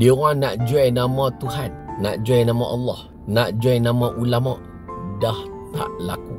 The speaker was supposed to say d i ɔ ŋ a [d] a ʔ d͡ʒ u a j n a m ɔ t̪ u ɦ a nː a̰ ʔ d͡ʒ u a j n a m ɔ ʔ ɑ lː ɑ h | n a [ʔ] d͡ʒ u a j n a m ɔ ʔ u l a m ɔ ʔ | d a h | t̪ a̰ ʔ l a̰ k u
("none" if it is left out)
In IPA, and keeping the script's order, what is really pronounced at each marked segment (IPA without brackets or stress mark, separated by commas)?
n, ʔ